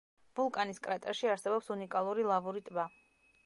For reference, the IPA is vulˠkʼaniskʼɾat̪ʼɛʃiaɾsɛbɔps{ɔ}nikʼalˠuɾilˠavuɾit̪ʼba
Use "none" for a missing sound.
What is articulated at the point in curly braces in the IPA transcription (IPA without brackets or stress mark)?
u